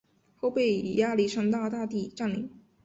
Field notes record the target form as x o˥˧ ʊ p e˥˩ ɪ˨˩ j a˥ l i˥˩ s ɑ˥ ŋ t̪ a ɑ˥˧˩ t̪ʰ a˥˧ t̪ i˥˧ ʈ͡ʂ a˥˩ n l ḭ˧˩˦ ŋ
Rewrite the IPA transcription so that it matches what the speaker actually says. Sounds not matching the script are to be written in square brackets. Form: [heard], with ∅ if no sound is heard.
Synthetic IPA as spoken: x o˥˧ ʊ p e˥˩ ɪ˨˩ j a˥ l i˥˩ [ʂ] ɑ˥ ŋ t̪ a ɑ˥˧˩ [t̪] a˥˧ t̪ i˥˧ ʈ͡ʂ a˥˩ n l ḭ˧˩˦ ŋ

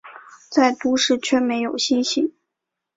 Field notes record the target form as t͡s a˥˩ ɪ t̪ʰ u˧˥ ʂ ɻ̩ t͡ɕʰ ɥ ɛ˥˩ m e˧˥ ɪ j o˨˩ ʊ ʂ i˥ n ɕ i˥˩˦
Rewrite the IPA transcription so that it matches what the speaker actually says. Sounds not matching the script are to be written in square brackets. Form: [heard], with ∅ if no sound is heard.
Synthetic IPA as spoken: t͡s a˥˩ ɪ [t̪] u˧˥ ʂ ɻ̩ t͡ɕʰ ɥ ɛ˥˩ m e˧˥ ɪ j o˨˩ ʊ [ɕ] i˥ n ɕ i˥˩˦

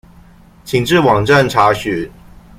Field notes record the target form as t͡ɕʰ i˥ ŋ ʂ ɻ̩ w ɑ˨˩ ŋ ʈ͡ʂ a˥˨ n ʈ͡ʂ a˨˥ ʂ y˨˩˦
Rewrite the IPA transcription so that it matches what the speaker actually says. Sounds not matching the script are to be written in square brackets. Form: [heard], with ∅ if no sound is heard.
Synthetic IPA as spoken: t͡ɕʰ [i˨˩] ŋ [ʈ͡ʂ] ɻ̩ w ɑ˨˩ ŋ ʈ͡ʂ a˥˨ n [ʈ͡ʂʰ] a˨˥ [ɕ] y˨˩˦

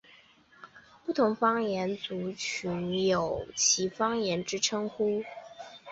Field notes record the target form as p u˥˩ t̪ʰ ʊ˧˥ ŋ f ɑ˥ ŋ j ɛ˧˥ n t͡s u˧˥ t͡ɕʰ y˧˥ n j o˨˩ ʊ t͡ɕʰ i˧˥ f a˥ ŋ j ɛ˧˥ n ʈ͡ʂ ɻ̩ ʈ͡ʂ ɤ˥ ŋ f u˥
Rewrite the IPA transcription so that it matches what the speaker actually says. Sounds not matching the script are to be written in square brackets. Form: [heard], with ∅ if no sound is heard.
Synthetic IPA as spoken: p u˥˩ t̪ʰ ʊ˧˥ ŋ f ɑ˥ ŋ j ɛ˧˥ n t͡s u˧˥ t͡ɕʰ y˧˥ n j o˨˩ ʊ t͡ɕʰ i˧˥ f [ɑ˥] ŋ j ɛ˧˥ n ʈ͡ʂ ɻ̩ [ʈ͡ʂʰ] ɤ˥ ŋ [x] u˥

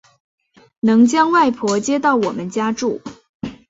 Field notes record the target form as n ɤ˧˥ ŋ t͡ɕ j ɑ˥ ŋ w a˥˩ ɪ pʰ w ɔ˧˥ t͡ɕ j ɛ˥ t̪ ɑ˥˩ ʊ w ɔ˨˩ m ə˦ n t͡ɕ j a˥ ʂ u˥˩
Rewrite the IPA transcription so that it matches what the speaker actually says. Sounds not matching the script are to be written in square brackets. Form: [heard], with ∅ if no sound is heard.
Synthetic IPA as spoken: n ɤ˧˥ ŋ t͡ɕ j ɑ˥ ŋ w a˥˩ ɪ pʰ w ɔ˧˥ t͡ɕ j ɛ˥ t̪ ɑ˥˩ ʊ w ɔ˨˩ m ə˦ n t͡ɕ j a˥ [ʈ͡ʂ] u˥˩

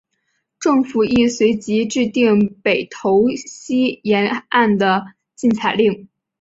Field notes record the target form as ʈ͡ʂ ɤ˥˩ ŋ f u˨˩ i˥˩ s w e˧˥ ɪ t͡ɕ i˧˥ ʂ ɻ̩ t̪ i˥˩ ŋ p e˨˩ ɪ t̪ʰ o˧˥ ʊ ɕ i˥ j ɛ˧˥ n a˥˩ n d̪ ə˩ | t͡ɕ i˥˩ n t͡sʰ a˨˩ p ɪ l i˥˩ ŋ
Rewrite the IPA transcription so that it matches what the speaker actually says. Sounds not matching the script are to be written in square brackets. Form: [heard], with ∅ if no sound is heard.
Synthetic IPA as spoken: ʈ͡ʂ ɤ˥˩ ŋ f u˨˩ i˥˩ s w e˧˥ ɪ t͡ɕ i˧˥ [ʈ͡ʂ] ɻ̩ t̪ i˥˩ ŋ p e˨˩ ɪ t̪ʰ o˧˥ ʊ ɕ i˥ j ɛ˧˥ n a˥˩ n d̪ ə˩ | t͡ɕ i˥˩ n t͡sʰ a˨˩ [∅] ɪ l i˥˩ ŋ

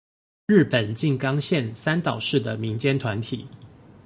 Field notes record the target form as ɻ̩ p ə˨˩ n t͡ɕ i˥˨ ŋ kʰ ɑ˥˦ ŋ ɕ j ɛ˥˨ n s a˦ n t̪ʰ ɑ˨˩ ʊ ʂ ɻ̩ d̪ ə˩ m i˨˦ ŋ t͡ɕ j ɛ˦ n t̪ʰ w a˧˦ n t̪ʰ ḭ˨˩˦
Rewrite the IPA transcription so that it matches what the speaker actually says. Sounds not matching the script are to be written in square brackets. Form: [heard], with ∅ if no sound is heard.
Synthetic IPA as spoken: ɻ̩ p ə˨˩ n t͡ɕ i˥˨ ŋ [k] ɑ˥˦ ŋ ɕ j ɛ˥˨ n s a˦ n [t̪] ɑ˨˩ ʊ ʂ ɻ̩ d̪ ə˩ m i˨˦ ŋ t͡ɕ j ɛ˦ n t̪ʰ w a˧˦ n t̪ʰ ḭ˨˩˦

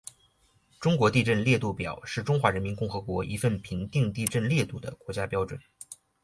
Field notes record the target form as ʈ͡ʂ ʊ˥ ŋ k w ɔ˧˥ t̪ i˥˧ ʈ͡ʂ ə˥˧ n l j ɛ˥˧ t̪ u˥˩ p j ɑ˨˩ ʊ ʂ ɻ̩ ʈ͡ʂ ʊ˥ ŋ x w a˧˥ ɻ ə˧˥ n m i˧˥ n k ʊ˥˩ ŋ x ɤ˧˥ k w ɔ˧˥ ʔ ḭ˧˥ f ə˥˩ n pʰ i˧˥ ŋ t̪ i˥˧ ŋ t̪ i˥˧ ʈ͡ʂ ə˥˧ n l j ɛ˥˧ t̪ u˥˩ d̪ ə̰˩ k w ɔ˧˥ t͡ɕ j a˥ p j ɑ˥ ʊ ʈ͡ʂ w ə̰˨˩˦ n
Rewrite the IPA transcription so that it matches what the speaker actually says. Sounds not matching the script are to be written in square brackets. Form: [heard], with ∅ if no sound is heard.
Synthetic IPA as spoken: ʈ͡ʂ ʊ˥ ŋ k w ɔ˧˥ t̪ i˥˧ ʈ͡ʂ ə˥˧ n l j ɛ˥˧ t̪ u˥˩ p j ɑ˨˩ ʊ ʂ ɻ̩ ʈ͡ʂ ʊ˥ ŋ x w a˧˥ ɻ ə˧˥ n m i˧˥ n k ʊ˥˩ ŋ x ɤ˧˥ k w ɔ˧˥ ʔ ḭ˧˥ f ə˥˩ n pʰ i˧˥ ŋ t̪ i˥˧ ŋ t̪ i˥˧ ʈ͡ʂ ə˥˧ n l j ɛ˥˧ t̪ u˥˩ d̪ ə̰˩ k w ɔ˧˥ t͡ɕ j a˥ p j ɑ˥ ʊ ʈ͡ʂ w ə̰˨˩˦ n

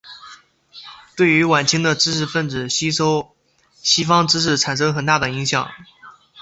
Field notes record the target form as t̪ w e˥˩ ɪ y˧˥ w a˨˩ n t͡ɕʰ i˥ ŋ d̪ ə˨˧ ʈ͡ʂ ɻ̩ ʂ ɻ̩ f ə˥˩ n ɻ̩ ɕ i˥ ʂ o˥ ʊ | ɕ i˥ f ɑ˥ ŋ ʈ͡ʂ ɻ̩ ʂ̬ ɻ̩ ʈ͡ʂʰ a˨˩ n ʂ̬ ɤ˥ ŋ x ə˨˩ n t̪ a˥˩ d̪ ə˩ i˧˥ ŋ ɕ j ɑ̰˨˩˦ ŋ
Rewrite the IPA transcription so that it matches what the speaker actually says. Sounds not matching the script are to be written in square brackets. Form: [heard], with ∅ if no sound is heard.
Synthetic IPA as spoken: t̪ w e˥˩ ɪ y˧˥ w a˨˩ n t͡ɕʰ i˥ ŋ d̪ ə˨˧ ʈ͡ʂ ɻ̩ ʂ ɻ̩ f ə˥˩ n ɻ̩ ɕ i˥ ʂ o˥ ʊ | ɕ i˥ f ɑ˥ ŋ ʈ͡ʂ ɻ̩ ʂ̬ ɻ̩ ʈ͡ʂʰ a˨˩ n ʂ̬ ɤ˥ ŋ x ə˨˩ n t̪ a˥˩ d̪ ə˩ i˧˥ ŋ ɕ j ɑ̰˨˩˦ ŋ

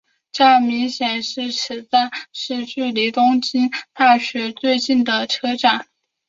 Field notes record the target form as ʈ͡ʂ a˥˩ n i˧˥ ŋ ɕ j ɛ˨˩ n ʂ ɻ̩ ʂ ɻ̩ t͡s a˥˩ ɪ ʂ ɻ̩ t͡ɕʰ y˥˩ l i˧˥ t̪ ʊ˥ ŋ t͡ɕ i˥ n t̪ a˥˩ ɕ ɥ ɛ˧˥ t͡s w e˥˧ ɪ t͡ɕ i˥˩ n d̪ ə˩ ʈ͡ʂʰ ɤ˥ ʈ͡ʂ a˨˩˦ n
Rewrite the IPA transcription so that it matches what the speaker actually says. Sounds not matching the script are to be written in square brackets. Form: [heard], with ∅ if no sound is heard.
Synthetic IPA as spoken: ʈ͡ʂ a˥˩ [m] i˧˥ ŋ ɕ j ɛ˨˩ n ʂ ɻ̩ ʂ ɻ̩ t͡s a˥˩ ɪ ʂ ɻ̩ [t͡ɕ] y˥˩ l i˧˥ t̪ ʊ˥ ŋ t͡ɕ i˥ n t̪ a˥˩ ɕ ɥ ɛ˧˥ t͡s w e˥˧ ɪ t͡ɕ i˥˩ n d̪ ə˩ ʈ͡ʂʰ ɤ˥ ʈ͡ʂ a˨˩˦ n

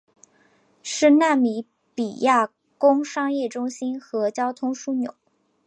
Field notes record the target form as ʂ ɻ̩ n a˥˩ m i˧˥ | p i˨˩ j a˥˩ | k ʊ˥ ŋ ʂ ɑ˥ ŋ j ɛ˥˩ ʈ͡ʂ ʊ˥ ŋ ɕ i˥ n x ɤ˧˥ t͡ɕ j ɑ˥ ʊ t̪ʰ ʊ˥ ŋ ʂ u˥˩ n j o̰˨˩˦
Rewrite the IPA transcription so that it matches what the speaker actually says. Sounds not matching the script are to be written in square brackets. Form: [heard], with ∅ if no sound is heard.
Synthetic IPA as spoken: ʂ ɻ̩ n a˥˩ m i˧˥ | p i˨˩ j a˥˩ | k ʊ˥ ŋ ʂ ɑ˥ ŋ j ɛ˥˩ ʈ͡ʂ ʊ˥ ŋ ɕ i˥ n x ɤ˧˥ t͡ɕ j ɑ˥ ʊ t̪ʰ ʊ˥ ŋ ʂ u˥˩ n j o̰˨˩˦

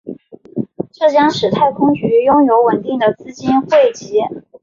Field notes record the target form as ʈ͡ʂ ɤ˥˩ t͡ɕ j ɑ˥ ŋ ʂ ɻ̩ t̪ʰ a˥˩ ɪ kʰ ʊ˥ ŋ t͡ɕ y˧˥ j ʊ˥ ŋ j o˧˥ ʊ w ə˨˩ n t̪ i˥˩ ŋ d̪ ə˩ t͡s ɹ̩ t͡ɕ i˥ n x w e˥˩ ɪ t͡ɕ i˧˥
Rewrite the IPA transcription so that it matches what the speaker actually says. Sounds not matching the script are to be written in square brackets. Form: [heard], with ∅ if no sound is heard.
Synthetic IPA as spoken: ʈ͡ʂ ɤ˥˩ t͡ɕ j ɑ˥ ŋ ʂ ɻ̩ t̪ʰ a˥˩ ɪ kʰ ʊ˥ ŋ t͡ɕ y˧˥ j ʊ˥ ŋ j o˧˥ ʊ w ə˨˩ n t̪ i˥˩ ŋ d̪ ə˩ t͡s ɹ̩ t͡ɕ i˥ n x w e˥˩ ɪ t͡ɕ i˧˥

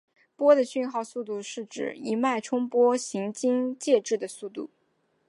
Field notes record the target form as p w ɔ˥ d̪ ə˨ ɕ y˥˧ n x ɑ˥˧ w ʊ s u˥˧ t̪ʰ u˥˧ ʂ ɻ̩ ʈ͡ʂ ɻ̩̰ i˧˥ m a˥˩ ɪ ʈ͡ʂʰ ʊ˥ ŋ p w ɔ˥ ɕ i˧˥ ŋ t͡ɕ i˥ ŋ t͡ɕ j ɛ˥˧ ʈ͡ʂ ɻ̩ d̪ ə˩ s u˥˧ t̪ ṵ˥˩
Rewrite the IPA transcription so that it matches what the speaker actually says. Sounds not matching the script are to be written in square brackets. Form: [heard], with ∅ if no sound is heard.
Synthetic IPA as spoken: p w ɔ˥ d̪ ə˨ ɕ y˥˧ n x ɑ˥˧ [∅] ʊ s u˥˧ [t̪] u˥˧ ʂ ɻ̩ ʈ͡ʂ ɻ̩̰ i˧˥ m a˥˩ ɪ ʈ͡ʂʰ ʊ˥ ŋ p w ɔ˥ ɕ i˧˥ ŋ t͡ɕ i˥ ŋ t͡ɕ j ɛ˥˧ ʈ͡ʂ ɻ̩ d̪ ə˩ s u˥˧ t̪ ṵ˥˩

